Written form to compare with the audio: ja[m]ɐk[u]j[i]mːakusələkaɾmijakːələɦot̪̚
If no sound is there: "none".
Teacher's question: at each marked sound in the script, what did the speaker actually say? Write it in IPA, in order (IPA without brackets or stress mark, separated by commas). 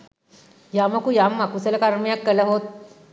m, u, a